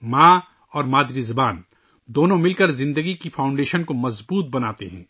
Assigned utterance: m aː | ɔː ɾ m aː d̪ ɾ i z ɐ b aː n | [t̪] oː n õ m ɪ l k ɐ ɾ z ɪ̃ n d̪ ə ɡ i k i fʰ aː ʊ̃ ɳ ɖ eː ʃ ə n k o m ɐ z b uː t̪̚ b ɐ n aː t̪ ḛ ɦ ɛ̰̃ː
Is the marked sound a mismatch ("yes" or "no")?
yes